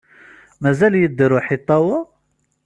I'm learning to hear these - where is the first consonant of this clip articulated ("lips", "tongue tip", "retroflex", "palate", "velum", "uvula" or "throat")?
lips